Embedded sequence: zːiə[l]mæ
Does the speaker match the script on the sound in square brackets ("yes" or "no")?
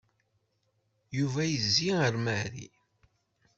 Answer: no